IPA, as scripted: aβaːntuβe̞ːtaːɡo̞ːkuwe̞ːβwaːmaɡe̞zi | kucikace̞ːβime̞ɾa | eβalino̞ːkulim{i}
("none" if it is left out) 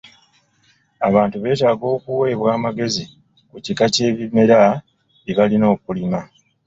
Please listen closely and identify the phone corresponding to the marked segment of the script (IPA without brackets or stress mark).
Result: a